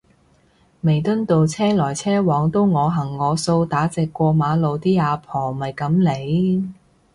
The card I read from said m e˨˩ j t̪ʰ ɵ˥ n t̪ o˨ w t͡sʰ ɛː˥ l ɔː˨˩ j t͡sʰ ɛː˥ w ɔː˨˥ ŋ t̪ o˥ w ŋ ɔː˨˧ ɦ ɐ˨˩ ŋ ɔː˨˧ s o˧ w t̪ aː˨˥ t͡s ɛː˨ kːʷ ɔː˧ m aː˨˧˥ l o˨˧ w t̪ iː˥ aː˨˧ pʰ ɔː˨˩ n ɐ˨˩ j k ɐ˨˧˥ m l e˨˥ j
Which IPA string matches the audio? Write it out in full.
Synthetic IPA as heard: m e˨˩ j t̪ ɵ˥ n t̪ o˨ w t͡sʰ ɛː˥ l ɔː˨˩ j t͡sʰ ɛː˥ w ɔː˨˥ ŋ t̪ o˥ w ŋ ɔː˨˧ ɦ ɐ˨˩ ŋː ɔː˨˧ s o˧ w t̪ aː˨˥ t͡s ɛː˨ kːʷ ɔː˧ m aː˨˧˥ l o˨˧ w t̪ iː˥ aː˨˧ pʰ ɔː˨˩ m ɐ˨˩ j k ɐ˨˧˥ m l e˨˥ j